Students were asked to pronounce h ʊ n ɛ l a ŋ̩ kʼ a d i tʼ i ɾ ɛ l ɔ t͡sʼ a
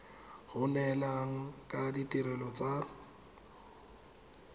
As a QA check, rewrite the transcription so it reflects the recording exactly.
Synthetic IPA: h ʊ n ɛ l a ŋ̩ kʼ a d i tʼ i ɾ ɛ l ɔ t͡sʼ a